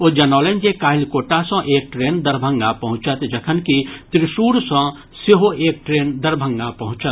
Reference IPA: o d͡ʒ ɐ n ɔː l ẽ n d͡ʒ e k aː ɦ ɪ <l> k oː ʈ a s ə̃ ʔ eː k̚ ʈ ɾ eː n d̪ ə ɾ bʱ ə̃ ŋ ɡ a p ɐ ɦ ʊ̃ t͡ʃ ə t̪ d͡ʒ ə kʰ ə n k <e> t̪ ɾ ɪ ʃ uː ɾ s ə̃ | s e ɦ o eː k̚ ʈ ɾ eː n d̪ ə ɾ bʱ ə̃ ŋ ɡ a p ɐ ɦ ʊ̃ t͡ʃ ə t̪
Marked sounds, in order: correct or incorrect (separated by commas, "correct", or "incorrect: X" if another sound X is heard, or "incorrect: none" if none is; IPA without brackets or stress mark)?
correct, incorrect: i